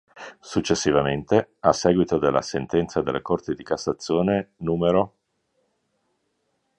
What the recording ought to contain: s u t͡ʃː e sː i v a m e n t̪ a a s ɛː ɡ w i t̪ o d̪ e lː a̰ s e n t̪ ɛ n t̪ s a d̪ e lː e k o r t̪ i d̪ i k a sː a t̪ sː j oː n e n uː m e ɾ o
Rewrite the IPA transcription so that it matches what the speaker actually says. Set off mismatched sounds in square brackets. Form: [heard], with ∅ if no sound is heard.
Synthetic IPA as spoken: s u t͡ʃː e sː i v a m e n t̪ [e] a s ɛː ɡ w i t̪ o d̪ e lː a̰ s e n t̪ ɛ n t̪ s a d̪ e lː e k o r t̪ i d̪ i k a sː a t̪ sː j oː n e n uː m e ɾ o